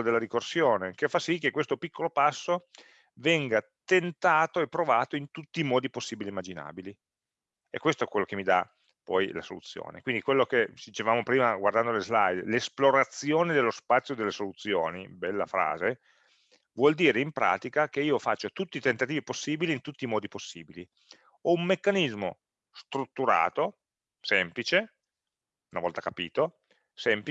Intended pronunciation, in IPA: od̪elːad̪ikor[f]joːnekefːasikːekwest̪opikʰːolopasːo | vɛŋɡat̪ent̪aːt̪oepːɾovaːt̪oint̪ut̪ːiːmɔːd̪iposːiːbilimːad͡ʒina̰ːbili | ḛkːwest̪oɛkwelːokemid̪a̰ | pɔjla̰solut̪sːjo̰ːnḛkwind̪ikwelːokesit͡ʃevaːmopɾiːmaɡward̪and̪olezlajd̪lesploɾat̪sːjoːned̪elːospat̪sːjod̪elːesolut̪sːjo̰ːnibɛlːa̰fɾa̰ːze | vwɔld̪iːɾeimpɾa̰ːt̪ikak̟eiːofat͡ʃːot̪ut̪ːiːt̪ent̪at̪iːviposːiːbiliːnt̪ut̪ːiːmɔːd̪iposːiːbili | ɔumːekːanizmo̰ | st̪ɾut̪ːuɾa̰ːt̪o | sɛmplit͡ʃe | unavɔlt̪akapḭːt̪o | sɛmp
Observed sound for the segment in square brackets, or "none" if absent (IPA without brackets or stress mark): s